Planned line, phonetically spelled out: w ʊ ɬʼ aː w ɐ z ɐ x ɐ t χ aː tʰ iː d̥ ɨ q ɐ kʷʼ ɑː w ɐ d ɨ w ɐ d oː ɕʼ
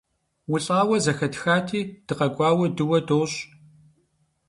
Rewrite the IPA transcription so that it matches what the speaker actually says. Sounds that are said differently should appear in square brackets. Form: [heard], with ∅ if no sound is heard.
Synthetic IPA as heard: w ʊ ɬʼ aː w ɐ z ɐ x ɐ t [x] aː tʰ iː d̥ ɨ q ɐ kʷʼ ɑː w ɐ d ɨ w ɐ d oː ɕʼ